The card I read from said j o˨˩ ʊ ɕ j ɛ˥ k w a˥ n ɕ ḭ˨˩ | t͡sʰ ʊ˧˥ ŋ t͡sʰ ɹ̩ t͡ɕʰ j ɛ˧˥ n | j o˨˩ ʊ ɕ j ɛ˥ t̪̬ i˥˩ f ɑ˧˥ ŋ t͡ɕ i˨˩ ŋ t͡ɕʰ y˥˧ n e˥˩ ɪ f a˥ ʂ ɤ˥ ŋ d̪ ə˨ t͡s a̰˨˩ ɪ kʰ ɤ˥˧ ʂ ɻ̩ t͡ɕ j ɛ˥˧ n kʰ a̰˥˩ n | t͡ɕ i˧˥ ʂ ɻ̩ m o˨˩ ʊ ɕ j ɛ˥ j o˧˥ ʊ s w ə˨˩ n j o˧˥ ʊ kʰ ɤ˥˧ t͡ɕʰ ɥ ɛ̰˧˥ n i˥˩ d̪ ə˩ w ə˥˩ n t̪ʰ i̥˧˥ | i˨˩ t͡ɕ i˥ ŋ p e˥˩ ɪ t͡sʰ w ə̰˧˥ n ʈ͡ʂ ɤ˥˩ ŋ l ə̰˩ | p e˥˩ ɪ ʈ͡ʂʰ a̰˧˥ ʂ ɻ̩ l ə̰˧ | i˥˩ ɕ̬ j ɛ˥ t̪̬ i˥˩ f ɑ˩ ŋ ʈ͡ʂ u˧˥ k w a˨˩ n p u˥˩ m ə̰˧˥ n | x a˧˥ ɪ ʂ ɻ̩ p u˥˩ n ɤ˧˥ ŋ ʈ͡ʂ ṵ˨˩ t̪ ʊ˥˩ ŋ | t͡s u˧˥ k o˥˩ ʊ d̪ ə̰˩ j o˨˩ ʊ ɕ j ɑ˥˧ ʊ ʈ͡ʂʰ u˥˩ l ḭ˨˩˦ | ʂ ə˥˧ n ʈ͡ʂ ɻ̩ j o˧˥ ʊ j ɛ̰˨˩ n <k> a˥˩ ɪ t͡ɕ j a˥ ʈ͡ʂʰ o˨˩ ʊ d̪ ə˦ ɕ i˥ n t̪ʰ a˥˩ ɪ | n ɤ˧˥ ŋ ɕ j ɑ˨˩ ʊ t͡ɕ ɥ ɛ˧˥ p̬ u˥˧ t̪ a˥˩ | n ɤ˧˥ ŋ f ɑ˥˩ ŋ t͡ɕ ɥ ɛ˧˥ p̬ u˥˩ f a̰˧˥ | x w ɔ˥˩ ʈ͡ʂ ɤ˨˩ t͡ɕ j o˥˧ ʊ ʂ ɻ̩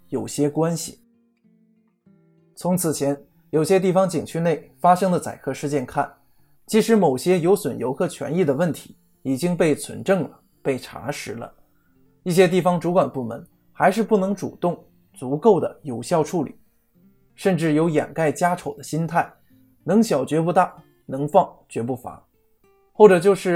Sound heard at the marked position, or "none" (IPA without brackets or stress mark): k